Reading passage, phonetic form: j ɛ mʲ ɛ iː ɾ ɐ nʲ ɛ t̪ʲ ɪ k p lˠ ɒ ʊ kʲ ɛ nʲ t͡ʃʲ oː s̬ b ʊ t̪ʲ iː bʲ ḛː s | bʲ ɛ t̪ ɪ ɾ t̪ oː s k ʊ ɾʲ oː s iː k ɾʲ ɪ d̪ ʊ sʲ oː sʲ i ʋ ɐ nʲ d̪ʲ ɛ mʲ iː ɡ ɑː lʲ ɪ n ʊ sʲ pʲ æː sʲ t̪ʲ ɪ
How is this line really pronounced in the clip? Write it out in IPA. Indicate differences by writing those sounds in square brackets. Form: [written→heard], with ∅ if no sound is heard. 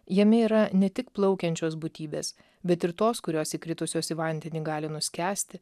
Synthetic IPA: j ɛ mʲ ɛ iː ɾ ɐ nʲ ɛ t̪ʲ ɪ k p lˠ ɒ ʊ kʲ ɛ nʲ t͡ʃʲ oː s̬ b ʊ t̪ʲ iː bʲ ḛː s | bʲ ɛ t̪ ɪ ɾ t̪ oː s k ʊ ɾʲ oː s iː k ɾʲ ɪ [d̪→t̪] ʊ sʲ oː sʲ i ʋ ɐ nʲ d̪ʲ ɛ [mʲ→nʲ] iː ɡ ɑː lʲ ɪ n ʊ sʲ [pʲ→kʲ] æː sʲ t̪ʲ ɪ